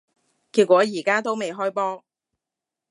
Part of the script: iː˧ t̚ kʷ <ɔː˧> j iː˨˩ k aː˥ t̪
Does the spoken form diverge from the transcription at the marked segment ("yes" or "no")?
yes